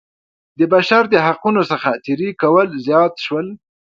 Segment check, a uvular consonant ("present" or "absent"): present